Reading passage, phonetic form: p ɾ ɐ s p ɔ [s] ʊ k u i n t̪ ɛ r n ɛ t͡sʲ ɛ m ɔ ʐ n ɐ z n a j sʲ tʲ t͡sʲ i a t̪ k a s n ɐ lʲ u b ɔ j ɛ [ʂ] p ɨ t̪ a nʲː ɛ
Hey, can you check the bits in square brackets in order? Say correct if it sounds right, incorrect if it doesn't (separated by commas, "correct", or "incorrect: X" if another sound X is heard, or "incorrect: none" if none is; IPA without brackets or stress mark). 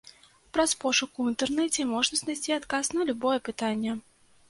incorrect: ʂ, incorrect: none